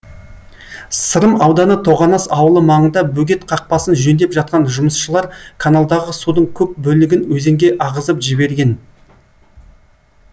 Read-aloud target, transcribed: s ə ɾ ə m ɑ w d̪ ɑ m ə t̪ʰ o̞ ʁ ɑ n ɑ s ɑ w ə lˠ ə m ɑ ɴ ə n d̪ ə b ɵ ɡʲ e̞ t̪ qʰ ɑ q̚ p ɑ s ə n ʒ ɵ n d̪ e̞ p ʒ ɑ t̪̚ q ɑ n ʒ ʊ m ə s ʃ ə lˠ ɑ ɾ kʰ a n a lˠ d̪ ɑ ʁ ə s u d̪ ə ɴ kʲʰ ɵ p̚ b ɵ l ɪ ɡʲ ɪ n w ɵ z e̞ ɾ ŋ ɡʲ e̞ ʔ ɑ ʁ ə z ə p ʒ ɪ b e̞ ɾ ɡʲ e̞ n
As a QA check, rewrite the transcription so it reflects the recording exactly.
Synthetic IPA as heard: s ə ɾ ə m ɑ w d̪ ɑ n ə t̪ʰ o̞ ʁ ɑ n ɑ s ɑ w ə lˠ ə m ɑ ɴ ə n d̪ ɑ b ɵ ɡʲ e̞ t̪ qʰ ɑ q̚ p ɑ s ə n ʒ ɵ n d̪ e̞ p ʒ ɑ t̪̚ q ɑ n ʒ ʊ m ə s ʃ ə lˠ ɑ ɾ kʰ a n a lˠ d̪ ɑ ʁ ə s u d̪ ə ɴ kʲʰ ɵ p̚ b ɵ l ɪ ɡʲ ɪ n w ɵ z e̞ ŋ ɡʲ e̞ ʔ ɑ ʁ ə z ə p ʒ ɪ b e̞ ɾ ɡʲ e̞ n